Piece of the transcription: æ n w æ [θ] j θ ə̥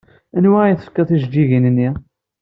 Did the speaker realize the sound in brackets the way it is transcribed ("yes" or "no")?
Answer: no